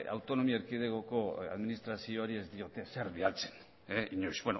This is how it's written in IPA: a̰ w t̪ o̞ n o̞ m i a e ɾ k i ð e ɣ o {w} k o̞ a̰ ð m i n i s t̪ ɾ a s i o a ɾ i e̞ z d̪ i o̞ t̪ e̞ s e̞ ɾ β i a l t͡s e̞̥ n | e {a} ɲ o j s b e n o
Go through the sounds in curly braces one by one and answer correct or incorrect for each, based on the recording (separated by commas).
incorrect, incorrect